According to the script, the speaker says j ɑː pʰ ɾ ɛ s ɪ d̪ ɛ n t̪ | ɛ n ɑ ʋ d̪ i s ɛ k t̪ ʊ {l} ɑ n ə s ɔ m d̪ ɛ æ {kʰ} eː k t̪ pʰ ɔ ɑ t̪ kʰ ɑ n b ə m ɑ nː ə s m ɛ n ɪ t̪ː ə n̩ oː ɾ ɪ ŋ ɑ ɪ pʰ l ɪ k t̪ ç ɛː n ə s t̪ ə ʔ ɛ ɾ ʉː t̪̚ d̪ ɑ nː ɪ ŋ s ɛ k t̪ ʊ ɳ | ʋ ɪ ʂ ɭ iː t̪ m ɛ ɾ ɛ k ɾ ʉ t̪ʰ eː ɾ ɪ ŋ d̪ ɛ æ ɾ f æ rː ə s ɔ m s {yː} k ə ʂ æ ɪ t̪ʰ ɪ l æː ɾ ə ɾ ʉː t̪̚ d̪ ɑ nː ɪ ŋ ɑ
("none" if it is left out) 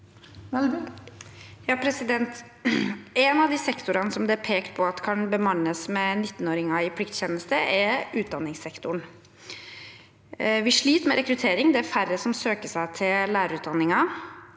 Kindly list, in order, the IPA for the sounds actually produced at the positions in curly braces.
ɾ, pʰ, øː

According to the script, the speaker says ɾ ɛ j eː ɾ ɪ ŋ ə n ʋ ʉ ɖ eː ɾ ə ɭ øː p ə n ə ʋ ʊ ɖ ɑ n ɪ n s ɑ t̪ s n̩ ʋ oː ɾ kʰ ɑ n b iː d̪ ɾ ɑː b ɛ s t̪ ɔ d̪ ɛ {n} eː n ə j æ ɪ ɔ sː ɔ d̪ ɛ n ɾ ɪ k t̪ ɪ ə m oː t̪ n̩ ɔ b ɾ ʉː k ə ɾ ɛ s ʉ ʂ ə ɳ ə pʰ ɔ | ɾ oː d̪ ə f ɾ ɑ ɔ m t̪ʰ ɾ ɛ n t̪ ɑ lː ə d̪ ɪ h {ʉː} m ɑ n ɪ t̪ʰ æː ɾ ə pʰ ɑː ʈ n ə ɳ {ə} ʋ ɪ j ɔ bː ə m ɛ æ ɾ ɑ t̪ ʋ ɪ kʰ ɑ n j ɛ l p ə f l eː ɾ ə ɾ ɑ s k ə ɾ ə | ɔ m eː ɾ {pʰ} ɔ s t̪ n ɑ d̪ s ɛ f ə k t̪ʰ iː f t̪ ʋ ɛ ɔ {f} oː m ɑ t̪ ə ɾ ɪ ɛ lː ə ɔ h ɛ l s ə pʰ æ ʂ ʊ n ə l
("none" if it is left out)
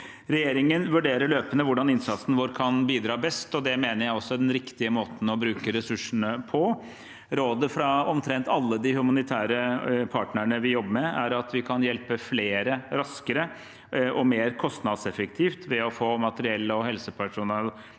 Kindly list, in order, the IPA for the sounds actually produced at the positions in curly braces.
m, ʉ, ə, kʰ, f

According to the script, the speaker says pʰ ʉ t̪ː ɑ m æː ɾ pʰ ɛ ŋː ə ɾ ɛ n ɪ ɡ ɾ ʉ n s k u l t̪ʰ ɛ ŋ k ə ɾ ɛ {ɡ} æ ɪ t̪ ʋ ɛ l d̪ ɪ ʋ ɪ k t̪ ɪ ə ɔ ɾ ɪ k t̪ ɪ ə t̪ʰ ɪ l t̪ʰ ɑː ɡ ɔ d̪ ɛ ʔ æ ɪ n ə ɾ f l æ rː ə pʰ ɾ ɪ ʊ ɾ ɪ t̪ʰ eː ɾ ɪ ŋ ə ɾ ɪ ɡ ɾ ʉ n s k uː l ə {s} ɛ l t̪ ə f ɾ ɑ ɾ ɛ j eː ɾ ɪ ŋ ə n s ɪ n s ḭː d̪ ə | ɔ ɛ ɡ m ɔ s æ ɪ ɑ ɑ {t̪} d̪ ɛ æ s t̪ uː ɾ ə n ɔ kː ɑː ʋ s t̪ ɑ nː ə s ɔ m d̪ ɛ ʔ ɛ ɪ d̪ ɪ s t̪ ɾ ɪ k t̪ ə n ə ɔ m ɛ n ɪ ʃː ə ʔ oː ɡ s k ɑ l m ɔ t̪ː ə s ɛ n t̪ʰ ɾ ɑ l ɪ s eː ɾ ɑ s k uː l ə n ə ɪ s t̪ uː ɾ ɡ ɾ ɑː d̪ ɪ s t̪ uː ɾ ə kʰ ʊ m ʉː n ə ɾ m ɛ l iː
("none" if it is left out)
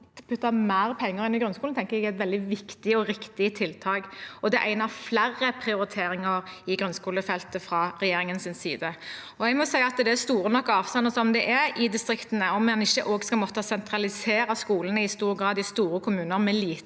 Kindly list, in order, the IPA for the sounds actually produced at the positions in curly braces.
ɡ, f, t̪

